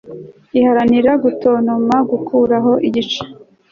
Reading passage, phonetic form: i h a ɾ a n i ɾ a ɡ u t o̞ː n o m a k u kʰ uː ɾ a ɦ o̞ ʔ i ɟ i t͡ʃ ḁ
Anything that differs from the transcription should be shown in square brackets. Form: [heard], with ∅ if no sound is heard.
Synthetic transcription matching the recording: i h a ɾ a n i ɾ a ɡ u t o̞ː n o m a [ɡ] u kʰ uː ɾ a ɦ o̞ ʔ i ɟ i t͡ʃ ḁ